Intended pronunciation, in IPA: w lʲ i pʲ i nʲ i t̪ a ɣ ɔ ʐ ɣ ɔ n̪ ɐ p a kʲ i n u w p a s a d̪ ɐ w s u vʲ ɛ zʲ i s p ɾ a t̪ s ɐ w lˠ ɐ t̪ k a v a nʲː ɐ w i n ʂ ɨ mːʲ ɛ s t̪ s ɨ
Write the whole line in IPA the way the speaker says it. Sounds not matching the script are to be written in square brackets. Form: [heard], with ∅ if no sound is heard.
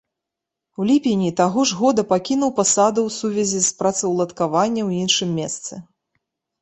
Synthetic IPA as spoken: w lʲ i pʲ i nʲ i t̪ a ɣ ɔ ʐ ɣ ɔ [d̪] ɐ p a kʲ i n u w p a s a d̪ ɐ w s u vʲ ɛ zʲ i s p ɾ a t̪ s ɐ w lˠ ɐ t̪ k a v a nʲː ɐ w i n ʂ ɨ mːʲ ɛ s t̪ s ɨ

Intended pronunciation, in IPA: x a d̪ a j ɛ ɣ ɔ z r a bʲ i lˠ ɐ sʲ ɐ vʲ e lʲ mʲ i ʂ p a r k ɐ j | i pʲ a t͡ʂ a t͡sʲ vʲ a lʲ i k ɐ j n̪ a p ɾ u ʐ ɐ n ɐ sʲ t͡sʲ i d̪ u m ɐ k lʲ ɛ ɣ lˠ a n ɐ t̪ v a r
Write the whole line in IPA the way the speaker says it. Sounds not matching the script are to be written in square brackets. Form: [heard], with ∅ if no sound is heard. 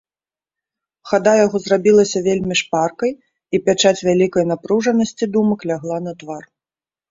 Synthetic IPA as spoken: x a d̪ a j [a] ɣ ɔ z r a bʲ i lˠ ɐ sʲ ɐ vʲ e lʲ mʲ i ʂ p a r k ɐ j | i pʲ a t͡ʂ a t͡sʲ vʲ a lʲ i k ɐ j n̪ a p ɾ u ʐ ɐ n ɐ sʲ t͡sʲ i d̪ u m ɐ k lʲ [a] ɣ lˠ a n ɐ t̪ v a r

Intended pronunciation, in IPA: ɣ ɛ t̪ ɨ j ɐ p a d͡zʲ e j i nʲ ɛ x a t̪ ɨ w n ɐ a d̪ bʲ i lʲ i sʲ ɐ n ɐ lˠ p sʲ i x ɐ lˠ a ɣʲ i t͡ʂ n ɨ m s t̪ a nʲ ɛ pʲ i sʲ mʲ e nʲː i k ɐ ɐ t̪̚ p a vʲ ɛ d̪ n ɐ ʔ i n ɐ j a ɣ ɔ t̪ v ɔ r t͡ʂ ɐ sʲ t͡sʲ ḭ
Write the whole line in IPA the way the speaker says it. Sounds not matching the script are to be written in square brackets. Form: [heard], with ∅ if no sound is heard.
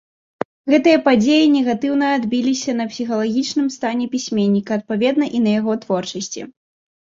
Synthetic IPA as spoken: ɣ ɛ t̪ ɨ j ɐ p a d͡zʲ e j i nʲ ɛ [ɣ] a t̪ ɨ w n ɐ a d̪ bʲ i lʲ i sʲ ɐ n ɐ [∅] p sʲ i x ɐ lˠ a ɣʲ i t͡ʂ n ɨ m s t̪ a nʲ ɛ pʲ i sʲ mʲ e nʲː i k ɐ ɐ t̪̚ p a vʲ ɛ d̪ n ɐ ʔ i n ɐ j a ɣ ɔ t̪ v ɔ r t͡ʂ ɐ sʲ t͡sʲ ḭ

